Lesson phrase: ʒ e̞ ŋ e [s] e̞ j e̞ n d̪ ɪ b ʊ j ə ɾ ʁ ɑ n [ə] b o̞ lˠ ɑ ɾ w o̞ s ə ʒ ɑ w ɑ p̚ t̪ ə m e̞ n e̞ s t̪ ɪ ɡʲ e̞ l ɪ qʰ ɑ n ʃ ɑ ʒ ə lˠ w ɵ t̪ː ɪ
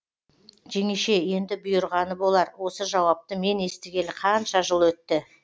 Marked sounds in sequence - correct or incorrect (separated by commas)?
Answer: incorrect, correct